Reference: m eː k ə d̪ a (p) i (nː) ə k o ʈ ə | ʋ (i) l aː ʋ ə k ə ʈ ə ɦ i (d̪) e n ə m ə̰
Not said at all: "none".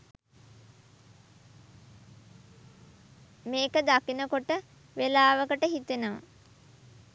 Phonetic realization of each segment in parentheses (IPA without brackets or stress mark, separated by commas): k, n, e, t̪